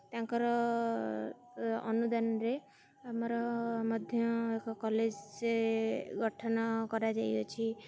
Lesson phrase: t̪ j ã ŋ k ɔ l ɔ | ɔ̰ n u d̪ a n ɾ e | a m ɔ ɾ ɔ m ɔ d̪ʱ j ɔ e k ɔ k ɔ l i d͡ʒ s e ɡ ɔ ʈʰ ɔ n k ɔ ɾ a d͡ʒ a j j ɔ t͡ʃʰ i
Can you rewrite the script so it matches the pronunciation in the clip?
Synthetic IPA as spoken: t̪ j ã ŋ k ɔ ɾ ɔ | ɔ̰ n u d̪ a n ɾ e | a m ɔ ɾ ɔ m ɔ d̪ʱ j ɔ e k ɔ k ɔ l e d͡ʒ s e ɡ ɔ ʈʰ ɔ n k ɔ ɾ a d͡ʒ a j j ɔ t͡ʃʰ i